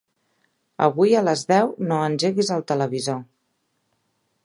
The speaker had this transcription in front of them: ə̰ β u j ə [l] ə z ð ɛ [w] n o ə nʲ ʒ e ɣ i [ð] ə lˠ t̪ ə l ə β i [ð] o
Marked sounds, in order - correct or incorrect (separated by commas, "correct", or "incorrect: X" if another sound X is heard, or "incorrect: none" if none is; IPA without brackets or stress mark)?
correct, correct, incorrect: z, incorrect: z